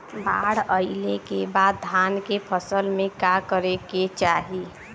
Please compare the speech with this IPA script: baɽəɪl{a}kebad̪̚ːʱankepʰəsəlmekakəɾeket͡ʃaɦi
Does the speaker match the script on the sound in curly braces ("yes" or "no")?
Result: no